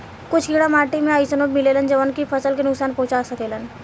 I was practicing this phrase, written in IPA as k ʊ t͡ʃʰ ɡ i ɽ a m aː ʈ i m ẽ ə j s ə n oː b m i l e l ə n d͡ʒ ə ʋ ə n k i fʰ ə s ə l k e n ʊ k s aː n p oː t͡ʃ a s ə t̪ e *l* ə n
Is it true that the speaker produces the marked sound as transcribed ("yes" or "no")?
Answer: yes